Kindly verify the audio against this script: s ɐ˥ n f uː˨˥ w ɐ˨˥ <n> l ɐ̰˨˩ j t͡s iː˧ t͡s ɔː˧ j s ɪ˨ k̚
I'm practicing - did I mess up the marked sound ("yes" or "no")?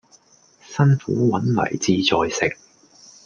no